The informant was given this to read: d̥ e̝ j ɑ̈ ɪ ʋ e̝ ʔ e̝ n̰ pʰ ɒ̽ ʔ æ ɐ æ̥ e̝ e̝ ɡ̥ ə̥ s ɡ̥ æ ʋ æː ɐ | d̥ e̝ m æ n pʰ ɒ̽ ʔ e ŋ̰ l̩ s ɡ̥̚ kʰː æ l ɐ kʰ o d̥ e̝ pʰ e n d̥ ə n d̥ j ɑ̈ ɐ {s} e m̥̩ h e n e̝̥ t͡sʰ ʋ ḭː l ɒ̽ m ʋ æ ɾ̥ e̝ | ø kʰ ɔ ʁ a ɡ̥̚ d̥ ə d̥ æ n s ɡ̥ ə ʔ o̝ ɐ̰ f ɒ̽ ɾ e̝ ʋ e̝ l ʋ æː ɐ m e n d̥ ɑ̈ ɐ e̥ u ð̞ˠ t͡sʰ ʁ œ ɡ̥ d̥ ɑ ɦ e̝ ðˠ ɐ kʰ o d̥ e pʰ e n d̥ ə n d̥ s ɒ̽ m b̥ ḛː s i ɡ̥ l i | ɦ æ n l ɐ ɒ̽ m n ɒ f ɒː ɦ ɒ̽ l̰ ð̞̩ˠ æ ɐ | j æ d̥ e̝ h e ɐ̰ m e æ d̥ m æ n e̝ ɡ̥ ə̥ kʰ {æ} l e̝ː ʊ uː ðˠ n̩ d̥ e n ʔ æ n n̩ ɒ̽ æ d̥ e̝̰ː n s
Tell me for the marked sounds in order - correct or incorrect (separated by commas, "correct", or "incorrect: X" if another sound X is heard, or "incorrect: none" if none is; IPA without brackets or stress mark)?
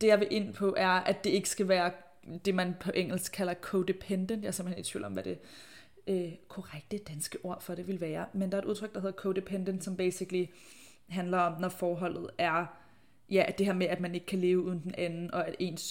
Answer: correct, correct